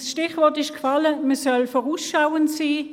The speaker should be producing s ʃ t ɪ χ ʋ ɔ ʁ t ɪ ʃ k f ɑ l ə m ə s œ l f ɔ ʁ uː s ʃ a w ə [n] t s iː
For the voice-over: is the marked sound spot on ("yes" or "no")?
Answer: yes